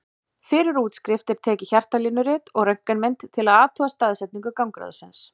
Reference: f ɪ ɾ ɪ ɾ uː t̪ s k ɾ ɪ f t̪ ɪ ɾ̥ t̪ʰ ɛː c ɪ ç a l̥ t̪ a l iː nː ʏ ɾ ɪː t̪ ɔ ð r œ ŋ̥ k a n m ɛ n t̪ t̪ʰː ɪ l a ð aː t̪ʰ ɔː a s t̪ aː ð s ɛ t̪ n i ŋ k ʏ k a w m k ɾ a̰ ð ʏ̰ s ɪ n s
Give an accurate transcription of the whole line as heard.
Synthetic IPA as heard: f ɪ ɾ ɪ ɾ uː t̪ s k ɾ ɪ f t̪ ɪ ɾ̥ t̪ʰ ɛː c ɪ ç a r̥ t̪ a l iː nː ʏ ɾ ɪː t̪ ɔ ɣ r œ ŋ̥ k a n m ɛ n t̪ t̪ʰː ɪ l a ð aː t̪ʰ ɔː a s t̪ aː ð s ɛ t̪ n i ŋ k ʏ k a w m k ɾ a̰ ð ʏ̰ s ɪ n s